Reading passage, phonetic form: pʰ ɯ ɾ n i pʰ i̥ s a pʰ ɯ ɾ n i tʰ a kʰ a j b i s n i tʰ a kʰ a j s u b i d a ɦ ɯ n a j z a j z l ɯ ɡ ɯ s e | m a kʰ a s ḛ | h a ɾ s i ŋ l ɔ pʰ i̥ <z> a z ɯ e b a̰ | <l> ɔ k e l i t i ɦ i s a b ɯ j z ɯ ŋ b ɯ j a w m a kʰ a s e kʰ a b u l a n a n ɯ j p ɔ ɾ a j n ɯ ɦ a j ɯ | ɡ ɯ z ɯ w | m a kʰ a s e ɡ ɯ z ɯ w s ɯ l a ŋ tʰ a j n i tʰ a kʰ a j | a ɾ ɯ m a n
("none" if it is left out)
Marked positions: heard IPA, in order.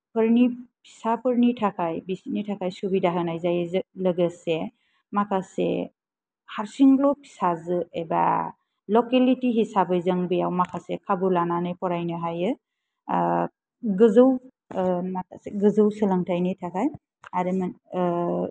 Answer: s, l

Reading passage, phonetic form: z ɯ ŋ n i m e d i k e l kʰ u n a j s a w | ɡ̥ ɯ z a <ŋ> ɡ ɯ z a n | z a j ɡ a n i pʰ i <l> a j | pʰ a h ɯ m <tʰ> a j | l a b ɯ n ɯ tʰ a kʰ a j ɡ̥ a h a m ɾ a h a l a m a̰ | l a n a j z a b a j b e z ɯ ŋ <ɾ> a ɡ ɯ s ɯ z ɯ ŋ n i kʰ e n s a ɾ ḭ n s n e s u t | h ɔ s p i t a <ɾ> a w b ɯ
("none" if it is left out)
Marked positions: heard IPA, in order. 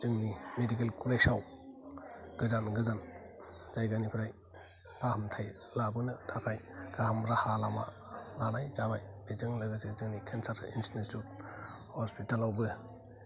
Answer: n, ɾ, tʰ, l, l

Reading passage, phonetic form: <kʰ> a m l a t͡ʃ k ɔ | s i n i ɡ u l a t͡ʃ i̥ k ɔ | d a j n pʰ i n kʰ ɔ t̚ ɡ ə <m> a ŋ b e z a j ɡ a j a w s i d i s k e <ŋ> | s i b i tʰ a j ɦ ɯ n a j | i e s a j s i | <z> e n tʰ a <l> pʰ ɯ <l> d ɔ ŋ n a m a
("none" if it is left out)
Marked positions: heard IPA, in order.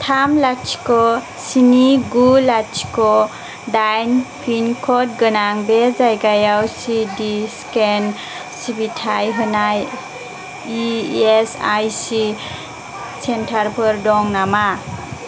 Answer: tʰ, n, n, s, ɾ, ɾ

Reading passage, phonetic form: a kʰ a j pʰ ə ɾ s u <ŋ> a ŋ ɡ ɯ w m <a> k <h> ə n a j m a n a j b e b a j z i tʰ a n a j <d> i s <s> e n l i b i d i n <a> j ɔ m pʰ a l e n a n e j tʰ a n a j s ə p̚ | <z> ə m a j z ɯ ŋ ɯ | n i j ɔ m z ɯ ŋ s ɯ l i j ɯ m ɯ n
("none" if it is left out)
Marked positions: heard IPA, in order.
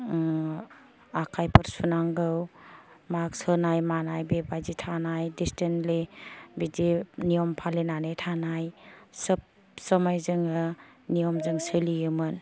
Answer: n, a, s, d, t, i, s

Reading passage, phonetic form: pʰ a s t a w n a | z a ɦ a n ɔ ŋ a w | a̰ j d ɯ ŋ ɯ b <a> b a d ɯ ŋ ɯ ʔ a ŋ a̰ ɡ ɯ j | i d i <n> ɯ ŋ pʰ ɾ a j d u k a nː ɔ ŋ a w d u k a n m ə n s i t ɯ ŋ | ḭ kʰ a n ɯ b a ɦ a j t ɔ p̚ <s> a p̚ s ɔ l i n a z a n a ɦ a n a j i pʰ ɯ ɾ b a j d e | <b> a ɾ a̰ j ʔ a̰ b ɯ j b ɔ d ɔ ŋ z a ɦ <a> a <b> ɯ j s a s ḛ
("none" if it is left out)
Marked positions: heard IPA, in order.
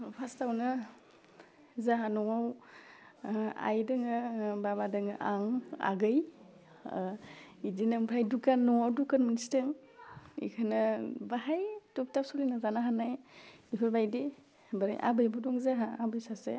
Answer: a, n, t, b, a, b

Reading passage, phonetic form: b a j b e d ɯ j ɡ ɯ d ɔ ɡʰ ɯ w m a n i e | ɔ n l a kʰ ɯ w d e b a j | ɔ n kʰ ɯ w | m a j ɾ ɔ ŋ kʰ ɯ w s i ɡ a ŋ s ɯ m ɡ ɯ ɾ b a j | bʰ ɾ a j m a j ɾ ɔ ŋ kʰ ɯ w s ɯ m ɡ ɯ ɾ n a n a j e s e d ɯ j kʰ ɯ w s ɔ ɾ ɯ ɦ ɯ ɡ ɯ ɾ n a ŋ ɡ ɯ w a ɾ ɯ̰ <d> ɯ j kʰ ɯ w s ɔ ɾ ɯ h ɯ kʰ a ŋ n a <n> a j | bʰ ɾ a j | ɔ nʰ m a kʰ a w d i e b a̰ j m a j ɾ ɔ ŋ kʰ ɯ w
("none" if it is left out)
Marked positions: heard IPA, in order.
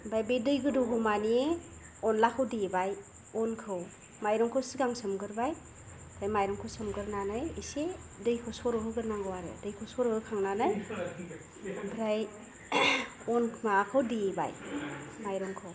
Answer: d, n

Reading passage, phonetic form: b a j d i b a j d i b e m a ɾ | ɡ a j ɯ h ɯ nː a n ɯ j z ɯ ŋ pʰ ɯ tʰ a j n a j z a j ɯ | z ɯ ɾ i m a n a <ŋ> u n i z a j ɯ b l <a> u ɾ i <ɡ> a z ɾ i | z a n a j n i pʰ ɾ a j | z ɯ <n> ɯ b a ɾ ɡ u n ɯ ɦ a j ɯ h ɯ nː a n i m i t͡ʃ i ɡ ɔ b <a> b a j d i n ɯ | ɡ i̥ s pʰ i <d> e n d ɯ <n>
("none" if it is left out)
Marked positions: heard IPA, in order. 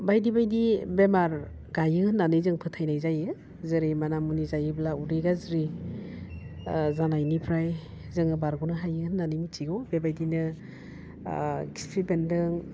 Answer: m, a, ɡ, ŋ, e, b, ŋ

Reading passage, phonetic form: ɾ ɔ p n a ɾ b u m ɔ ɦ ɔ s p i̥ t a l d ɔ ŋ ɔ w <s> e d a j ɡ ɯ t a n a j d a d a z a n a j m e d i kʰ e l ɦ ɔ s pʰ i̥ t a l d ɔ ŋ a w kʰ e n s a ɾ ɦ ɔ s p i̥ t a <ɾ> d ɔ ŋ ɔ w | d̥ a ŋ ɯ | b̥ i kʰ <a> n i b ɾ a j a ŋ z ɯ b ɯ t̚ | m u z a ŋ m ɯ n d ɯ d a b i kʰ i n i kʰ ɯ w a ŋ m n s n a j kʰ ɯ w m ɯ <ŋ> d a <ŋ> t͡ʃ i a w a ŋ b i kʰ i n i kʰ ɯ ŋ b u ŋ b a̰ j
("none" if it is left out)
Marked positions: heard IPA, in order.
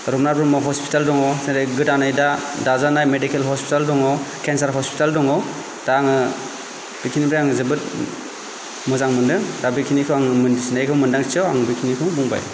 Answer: s, l, i, n, ŋ

